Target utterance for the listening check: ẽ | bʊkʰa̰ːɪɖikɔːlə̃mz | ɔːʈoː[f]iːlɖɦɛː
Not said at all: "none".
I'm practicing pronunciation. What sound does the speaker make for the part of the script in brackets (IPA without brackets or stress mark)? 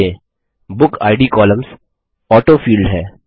f